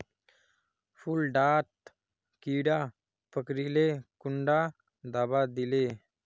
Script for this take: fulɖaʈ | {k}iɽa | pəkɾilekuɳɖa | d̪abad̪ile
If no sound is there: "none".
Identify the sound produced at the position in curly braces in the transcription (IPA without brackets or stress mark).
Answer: k